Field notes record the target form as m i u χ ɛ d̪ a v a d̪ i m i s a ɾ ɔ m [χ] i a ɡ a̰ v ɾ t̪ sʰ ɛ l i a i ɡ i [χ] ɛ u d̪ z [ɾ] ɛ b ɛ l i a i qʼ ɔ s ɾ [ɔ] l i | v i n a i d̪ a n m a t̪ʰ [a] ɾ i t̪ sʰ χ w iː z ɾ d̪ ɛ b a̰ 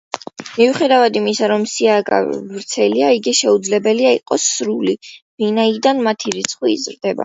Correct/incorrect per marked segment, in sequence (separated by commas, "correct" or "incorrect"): incorrect, incorrect, incorrect, incorrect, incorrect